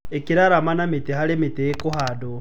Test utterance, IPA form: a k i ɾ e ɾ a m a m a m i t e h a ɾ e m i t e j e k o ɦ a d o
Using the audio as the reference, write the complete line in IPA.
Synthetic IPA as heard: e k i ɾ a ɾ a m a n a m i t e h a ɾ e m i t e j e k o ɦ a d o